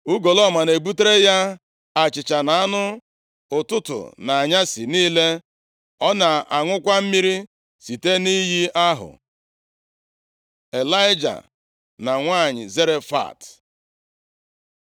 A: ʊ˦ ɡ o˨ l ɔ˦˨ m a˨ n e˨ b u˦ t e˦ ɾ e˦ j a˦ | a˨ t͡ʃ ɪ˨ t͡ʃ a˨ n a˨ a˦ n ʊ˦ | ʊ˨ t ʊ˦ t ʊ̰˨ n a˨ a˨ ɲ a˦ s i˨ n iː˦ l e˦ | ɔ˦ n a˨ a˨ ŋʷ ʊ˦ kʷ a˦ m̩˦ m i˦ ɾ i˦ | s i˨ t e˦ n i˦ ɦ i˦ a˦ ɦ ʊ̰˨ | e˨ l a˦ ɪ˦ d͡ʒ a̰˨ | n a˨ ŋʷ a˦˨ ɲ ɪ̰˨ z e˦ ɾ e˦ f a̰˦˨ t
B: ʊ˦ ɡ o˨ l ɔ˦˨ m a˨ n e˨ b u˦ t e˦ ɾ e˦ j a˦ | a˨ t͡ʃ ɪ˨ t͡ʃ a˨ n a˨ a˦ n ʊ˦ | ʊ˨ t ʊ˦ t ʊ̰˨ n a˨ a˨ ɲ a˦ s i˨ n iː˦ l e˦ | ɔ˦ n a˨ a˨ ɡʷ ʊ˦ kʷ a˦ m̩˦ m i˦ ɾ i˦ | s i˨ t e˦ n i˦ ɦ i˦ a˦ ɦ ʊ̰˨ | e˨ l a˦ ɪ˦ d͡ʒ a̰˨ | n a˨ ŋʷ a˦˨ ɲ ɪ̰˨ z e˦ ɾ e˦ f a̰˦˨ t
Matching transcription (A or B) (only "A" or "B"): A